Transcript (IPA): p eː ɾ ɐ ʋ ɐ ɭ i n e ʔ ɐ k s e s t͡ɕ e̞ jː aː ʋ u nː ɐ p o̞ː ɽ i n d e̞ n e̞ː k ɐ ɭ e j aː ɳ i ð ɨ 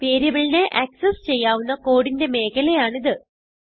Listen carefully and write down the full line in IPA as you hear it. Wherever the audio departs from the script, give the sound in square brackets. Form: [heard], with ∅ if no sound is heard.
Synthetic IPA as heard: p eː ɾ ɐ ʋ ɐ ɭ i n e ʔ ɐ k s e s t͡ɕ e̞ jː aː ʋ u nː ɐ [k] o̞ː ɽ i n d e̞ [m] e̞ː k ɐ [l] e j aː ɳ i ð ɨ